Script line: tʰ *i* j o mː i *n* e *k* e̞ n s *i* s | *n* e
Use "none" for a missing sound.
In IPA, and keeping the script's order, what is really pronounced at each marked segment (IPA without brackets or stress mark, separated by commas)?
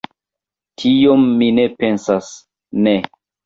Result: i, n, p, a, n